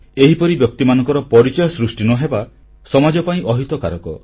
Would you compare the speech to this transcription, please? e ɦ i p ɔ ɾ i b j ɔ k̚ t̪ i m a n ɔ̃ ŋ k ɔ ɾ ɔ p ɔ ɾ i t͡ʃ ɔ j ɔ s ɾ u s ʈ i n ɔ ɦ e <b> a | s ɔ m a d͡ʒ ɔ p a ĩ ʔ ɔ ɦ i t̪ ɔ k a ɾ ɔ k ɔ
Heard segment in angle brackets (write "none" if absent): b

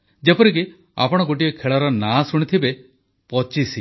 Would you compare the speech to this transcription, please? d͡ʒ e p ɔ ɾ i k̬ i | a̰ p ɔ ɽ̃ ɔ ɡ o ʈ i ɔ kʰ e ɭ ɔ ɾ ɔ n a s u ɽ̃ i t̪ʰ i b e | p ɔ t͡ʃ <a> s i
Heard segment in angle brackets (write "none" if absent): i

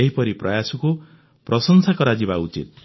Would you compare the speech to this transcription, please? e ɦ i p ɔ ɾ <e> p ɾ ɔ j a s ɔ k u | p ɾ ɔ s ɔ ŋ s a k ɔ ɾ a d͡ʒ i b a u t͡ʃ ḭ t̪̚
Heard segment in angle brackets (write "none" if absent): i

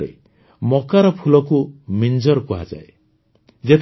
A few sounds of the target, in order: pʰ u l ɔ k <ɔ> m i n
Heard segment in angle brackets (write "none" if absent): u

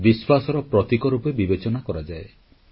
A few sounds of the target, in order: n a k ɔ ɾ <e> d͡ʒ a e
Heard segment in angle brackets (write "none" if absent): a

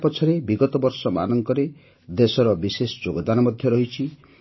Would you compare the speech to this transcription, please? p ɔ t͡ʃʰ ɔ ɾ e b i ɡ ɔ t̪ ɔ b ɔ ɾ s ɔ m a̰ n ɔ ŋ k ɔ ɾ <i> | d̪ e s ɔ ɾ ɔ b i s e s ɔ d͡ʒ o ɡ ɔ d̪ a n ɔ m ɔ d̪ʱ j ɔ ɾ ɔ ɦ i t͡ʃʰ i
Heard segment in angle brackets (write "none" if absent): e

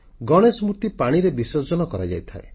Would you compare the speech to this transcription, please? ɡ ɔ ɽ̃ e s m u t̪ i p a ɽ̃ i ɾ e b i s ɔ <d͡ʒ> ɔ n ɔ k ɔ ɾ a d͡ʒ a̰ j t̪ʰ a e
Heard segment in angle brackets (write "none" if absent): d͡ʒ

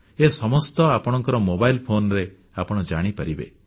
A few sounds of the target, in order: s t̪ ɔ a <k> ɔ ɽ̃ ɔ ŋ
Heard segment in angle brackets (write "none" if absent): p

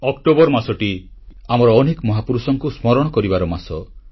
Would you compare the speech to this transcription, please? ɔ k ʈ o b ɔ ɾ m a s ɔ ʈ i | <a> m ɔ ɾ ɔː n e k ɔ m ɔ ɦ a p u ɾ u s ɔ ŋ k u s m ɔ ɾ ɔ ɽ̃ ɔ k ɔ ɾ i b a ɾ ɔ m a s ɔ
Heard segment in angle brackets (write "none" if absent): a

